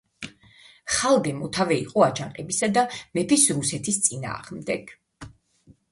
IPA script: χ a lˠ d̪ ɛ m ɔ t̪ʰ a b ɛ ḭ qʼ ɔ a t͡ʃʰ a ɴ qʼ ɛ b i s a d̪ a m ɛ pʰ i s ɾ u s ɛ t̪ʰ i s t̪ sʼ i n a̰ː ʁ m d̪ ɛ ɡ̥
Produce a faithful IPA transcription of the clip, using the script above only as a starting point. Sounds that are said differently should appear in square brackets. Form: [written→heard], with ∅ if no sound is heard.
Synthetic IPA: χ a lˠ d̪ ɛ m ɔ t̪ʰ a [b→v] ɛ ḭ qʼ ɔ a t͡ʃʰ a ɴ qʼ ɛ b i s a d̪ a m ɛ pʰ i s ɾ u s ɛ t̪ʰ i s t̪ sʼ i n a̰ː ʁ m d̪ ɛ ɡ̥